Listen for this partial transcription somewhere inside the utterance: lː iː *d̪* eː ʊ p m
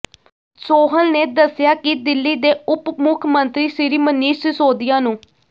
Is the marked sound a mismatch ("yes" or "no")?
no